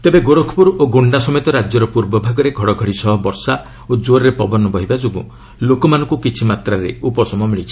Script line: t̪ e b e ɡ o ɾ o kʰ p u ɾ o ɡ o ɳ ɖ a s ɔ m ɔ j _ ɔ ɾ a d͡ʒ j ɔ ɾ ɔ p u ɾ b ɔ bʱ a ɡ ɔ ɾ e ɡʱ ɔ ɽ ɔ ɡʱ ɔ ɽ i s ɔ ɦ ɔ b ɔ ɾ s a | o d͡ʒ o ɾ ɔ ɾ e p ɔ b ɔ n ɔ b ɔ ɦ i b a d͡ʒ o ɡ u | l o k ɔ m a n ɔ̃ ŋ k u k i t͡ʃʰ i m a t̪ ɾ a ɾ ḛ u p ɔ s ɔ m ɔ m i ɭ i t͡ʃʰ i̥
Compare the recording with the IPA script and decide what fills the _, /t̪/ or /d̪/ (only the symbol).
t̪